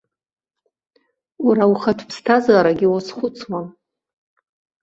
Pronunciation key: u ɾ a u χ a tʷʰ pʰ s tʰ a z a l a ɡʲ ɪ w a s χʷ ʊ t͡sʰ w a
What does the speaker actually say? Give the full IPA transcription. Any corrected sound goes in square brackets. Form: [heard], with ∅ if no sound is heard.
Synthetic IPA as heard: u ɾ a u χ a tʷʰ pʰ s tʰ a z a [ɾ] a ɡʲ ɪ w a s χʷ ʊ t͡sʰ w a